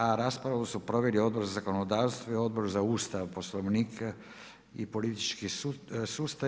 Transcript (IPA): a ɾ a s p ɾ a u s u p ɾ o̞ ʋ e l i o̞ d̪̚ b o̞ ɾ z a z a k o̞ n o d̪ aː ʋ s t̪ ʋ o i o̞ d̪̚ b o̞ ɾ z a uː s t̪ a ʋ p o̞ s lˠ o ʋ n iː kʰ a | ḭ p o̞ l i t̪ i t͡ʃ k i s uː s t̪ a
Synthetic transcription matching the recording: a ɾ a s p ɾ a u s u p ɾ o̞ ʋ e l i o̞ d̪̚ b o̞ ɾ z a z a k o̞ n o d̪ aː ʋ s t̪ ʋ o i o̞ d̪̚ b o̞ ɾ z a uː s t̪ a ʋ p o̞ s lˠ o ʋ n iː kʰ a | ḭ p o̞ l i t̪ i t͡ʃ k i s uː s t̪ a